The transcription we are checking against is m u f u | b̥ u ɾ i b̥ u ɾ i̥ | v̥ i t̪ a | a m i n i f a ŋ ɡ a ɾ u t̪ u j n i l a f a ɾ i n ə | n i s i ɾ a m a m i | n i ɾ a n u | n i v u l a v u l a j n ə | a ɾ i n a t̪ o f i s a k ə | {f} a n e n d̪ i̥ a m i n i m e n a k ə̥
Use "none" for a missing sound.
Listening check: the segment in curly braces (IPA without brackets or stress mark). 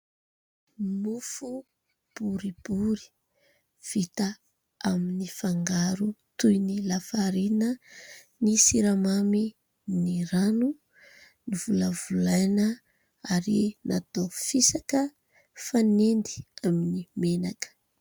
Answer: f